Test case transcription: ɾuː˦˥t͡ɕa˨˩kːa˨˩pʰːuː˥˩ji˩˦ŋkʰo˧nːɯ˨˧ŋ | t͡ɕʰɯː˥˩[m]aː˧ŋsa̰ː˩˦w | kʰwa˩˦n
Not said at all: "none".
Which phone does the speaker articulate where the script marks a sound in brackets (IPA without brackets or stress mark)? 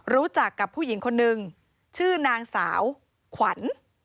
n